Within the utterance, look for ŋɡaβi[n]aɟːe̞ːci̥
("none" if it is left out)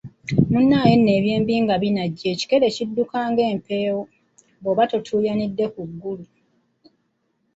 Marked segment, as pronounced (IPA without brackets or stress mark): n